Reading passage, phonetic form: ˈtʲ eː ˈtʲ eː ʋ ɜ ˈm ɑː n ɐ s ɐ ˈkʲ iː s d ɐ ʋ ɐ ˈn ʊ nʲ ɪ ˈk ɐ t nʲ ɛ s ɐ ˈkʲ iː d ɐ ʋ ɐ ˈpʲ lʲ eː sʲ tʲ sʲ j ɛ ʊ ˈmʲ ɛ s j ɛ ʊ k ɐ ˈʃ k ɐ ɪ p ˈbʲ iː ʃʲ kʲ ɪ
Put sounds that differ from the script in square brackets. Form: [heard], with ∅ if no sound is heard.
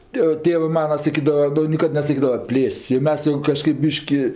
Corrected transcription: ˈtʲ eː ˈtʲ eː ʋ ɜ ˈm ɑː n ɐ s ɐ ˈkʲ iː [∅] d ɐ ʋ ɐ ˈn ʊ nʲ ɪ ˈk ɐ t nʲ ɛ s ɐ ˈkʲ iː d ɐ ʋ ɐ ˈpʲ lʲ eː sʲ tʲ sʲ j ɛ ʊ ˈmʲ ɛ s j ɛ ʊ k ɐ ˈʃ k ɐ ɪ p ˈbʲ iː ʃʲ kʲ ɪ